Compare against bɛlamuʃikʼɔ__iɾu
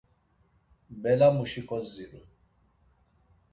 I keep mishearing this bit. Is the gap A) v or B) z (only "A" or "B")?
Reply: B